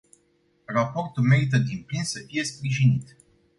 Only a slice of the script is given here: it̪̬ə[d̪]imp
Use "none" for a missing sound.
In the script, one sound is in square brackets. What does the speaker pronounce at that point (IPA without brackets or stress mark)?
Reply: d̪